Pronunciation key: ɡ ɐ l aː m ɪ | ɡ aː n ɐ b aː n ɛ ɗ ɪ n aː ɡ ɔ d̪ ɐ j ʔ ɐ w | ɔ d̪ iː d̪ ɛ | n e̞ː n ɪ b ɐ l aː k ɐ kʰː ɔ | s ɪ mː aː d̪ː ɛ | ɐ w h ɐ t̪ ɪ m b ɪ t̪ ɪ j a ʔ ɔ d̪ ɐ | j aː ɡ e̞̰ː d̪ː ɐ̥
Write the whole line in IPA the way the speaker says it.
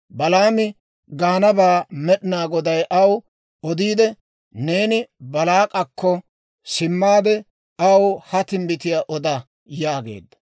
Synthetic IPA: b ɐ l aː m ɪ | ɡ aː n ɐ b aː m ɛ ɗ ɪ n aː ɡ ɔ d̪ ɐ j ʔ ɐ w | ɔ d̪ iː d̪ ɛ | n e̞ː n ɪ b ɐ l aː kʼ ɐ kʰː ɔ | s ɪ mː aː d̪ ɛ | ɐ w h ɐ t̪ ɪ m b ɪ t̪ ɪ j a ʔ ɔ d̪ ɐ | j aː ɡ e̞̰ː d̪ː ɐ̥